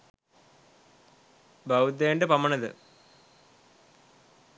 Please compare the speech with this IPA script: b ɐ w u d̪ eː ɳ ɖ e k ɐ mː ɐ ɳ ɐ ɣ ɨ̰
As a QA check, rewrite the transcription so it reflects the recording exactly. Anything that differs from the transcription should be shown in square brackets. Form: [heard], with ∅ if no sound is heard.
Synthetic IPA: b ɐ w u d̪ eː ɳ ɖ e [p] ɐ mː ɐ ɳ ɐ [ð] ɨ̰